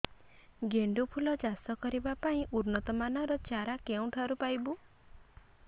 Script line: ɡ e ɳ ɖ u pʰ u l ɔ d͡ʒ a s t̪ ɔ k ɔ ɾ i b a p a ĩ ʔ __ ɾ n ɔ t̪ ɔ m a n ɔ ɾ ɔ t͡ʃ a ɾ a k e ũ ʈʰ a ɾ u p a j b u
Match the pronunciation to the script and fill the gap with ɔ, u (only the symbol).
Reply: u